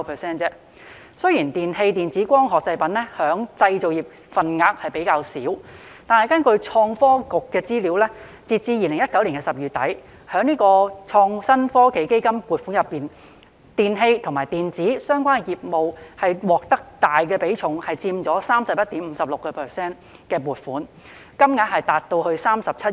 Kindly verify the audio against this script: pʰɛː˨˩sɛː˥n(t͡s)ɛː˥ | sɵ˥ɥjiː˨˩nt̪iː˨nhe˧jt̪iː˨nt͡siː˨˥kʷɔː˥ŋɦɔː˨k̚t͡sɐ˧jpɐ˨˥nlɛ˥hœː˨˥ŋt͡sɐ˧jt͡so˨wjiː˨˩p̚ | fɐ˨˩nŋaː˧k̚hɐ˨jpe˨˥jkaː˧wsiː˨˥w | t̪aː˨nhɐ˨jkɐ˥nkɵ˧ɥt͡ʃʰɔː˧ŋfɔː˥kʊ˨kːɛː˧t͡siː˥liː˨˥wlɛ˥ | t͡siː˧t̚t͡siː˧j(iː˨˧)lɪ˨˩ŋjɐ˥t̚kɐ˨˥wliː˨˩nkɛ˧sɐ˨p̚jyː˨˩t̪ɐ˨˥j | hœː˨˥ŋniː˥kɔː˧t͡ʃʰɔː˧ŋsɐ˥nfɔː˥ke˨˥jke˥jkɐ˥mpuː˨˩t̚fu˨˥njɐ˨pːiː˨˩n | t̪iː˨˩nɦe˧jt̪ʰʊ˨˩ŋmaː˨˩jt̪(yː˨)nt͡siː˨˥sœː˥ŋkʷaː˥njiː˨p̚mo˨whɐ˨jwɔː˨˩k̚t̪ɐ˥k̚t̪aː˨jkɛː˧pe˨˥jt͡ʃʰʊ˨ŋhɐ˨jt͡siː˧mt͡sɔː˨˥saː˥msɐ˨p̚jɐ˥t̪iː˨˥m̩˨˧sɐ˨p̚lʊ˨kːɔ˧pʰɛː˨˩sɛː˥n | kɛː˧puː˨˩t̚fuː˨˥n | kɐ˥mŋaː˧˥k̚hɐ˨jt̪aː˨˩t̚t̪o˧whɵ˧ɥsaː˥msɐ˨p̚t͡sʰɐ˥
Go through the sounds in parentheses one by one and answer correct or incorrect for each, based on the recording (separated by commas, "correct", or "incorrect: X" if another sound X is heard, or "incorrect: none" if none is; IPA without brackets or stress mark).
correct, correct, incorrect: iː˨